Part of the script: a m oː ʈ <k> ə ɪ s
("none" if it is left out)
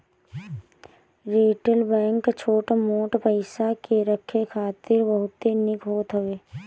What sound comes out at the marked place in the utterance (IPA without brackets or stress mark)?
p